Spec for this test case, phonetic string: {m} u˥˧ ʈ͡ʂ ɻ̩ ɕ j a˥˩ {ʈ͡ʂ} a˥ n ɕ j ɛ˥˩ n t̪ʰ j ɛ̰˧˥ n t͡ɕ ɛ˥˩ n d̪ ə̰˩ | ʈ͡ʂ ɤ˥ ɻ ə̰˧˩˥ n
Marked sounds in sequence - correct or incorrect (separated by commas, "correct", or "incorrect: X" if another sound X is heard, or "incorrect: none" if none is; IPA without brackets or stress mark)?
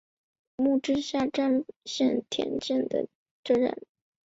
correct, correct